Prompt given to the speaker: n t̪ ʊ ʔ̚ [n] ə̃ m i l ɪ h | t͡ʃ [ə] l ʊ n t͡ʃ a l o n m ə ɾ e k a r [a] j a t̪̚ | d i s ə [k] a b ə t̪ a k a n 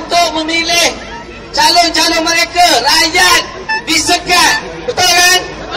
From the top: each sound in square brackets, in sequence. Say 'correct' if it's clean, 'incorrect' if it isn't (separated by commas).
incorrect, incorrect, correct, correct